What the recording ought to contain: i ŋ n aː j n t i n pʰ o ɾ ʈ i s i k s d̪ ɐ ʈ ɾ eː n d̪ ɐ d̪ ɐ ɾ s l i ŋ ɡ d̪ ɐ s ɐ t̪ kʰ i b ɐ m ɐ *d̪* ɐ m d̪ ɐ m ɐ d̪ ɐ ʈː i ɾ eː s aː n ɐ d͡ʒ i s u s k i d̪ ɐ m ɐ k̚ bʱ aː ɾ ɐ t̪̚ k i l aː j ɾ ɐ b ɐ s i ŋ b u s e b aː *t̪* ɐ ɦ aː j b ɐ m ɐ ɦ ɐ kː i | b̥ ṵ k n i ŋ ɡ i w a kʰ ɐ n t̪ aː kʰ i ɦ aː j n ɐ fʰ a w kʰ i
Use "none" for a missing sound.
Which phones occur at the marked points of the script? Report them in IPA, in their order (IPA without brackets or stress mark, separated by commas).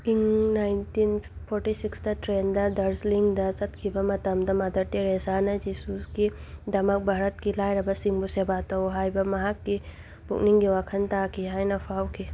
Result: t̪, t̪